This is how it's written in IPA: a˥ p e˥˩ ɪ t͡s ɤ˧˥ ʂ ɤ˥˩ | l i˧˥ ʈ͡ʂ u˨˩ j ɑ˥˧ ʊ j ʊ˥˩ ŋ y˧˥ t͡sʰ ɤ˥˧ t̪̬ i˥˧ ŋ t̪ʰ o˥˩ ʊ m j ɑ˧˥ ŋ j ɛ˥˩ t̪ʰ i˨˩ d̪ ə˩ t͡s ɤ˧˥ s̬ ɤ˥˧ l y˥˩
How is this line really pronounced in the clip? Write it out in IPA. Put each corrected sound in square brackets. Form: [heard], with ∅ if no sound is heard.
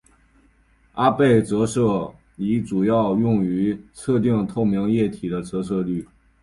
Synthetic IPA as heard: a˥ p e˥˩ ɪ t͡s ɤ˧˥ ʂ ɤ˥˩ | l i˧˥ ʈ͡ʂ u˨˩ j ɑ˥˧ ʊ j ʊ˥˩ ŋ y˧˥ t͡sʰ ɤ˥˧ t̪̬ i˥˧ ŋ t̪ʰ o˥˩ ʊ m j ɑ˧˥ ŋ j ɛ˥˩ t̪ʰ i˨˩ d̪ [ə˦] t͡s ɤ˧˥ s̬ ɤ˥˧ l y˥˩

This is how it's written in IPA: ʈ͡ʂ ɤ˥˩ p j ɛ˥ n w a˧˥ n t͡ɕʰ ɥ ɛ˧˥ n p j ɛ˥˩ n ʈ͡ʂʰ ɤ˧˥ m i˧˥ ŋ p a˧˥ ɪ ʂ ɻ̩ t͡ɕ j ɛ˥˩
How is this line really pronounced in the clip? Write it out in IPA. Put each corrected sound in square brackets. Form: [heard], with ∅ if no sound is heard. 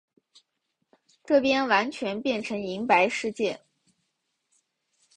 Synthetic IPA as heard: ʈ͡ʂ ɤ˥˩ p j ɛ˥ n w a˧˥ n t͡ɕʰ ɥ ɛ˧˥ n p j ɛ˥˩ n ʈ͡ʂʰ ɤ˧˥ [ŋ] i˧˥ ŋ p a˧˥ ɪ ʂ ɻ̩ t͡ɕ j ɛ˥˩

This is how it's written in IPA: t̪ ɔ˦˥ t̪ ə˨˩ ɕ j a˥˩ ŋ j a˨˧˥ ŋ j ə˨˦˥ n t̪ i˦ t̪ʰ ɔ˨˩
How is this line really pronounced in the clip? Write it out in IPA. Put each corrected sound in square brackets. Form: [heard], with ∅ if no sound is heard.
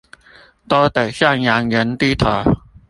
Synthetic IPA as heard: t̪ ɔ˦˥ t̪ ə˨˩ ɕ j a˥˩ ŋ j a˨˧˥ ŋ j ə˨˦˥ n t̪ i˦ t̪ʰ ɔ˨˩

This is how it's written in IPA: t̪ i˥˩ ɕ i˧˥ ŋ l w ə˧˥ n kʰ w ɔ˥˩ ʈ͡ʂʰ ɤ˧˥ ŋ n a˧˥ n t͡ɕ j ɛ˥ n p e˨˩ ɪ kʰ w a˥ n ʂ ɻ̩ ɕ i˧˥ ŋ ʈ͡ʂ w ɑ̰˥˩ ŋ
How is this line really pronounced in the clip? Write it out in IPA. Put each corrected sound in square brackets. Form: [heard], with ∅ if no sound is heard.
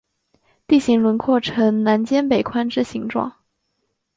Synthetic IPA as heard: t̪ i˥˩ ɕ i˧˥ ŋ l w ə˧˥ n kʰ w ɔ˥˩ ʈ͡ʂʰ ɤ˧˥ ŋ n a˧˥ n t͡ɕ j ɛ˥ n p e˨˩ ɪ kʰ w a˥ n [ʈ͡ʂ] ɻ̩ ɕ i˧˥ ŋ ʈ͡ʂ w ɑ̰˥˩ ŋ

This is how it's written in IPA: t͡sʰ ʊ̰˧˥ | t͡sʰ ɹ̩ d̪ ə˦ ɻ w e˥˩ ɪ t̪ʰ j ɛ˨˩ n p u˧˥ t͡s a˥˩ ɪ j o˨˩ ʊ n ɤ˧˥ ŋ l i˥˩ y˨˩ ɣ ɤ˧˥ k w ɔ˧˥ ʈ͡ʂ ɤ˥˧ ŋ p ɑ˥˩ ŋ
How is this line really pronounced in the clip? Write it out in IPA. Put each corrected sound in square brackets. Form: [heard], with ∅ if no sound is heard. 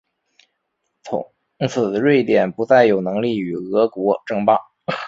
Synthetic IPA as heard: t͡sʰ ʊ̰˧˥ | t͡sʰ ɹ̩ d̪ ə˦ ɻ w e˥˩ ɪ [t̪] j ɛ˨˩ n p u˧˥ t͡s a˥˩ ɪ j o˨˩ ʊ n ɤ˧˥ ŋ l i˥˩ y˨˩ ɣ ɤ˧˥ k w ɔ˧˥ ʈ͡ʂ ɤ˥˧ ŋ p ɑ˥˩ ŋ

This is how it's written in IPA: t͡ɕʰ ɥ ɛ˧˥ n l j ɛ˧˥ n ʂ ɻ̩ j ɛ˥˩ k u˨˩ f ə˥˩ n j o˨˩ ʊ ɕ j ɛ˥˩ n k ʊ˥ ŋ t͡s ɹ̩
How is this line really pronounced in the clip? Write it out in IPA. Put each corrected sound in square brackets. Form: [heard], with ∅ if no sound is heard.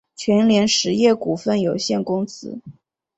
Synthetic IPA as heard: t͡ɕʰ ɥ ɛ˧˥ n l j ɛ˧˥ n ʂ ɻ̩ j ɛ˥˩ k u˨˩ f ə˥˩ n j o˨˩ ʊ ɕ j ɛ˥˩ n k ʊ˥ ŋ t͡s ɹ̩

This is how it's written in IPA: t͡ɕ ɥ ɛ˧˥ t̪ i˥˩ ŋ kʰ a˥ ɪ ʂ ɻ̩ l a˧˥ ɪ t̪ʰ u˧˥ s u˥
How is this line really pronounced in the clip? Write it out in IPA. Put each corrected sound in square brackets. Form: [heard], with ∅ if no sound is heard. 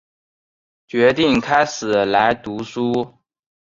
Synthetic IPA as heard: t͡ɕ ɥ ɛ˧˥ t̪ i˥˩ ŋ kʰ a˥ ɪ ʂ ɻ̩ l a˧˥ ɪ [t̪] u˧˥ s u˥

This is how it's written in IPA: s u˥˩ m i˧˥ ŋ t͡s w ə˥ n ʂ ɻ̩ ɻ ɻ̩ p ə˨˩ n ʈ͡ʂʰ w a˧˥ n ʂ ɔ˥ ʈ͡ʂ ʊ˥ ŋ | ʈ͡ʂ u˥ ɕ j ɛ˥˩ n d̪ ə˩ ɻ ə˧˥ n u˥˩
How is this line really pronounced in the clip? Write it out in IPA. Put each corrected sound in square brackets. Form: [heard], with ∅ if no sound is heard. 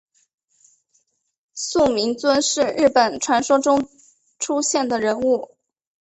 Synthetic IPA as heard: s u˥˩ m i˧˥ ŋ t͡s w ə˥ n ʂ ɻ̩ ɻ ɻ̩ p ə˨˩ n ʈ͡ʂʰ w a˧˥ n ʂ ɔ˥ ʈ͡ʂ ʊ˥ ŋ | [ʈ͡ʂʰ] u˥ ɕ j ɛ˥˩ n d̪ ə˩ ɻ ə˧˥ n u˥˩

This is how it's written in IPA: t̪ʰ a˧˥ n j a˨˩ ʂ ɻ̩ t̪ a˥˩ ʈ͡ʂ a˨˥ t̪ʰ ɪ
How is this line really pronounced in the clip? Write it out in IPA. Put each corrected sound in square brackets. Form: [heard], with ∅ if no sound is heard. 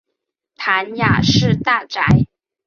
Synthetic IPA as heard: t̪ʰ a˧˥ n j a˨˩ ʂ ɻ̩ t̪ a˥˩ ʈ͡ʂ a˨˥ [∅] ɪ

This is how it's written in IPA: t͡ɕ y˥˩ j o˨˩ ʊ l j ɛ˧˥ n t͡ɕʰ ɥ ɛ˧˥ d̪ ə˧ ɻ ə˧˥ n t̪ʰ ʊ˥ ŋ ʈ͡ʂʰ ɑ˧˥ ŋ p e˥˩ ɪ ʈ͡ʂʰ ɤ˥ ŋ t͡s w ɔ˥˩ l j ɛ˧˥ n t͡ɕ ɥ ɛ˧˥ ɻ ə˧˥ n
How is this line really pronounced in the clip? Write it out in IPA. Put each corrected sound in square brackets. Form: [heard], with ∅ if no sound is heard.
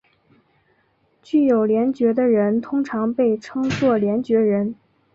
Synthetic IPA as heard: t͡ɕ y˥˩ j o˨˩ ʊ l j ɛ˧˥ n [t͡ɕ] ɥ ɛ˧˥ d̪ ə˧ ɻ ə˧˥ n t̪ʰ ʊ˥ ŋ ʈ͡ʂʰ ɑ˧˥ ŋ p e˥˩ ɪ ʈ͡ʂʰ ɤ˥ ŋ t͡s w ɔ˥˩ l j ɛ˧˥ n t͡ɕ ɥ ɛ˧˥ ɻ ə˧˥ n

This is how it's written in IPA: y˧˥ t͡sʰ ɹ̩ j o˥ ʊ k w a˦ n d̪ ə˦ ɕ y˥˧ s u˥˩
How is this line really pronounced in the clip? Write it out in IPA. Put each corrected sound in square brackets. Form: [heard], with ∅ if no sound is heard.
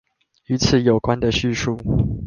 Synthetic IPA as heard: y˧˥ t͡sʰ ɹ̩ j [o˨˩] ʊ k w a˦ n d̪ [ə˨] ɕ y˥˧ [ʂ] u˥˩

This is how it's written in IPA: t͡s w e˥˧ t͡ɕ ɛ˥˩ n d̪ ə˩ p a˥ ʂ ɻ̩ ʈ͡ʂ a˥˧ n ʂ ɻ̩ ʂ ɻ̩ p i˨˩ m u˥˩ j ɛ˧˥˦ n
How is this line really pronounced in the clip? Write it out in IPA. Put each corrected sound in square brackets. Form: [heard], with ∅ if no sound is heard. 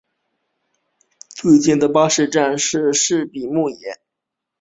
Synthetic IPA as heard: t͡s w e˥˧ t͡ɕ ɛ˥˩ n d̪ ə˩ p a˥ ʂ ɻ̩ ʈ͡ʂ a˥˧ n ʂ ɻ̩ ʂ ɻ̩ p i˨˩ m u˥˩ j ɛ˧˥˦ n

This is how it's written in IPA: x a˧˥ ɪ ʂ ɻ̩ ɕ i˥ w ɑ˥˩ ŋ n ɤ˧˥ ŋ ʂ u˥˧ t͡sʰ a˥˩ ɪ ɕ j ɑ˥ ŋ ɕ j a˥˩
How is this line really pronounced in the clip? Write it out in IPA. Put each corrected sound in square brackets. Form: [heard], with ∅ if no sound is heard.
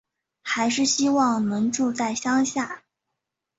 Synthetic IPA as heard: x a˧˥ ɪ ʂ ɻ̩ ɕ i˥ w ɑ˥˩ ŋ n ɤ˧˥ ŋ [ʈ͡ʂ] u˥˧ [t͡s] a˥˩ ɪ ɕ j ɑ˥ ŋ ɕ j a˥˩

